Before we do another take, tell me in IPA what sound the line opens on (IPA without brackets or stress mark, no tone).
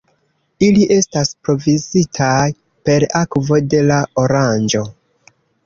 i